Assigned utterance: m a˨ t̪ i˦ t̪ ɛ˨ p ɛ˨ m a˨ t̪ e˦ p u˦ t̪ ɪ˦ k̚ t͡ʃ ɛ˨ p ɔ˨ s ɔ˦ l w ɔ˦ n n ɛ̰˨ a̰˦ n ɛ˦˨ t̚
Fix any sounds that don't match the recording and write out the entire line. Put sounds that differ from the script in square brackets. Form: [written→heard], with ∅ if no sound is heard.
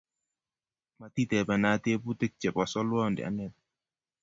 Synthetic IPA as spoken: m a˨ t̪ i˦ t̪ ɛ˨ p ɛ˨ [m→n] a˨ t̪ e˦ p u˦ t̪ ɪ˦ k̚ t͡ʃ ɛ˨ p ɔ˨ s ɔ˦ l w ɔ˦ n [n→d] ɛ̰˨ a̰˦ n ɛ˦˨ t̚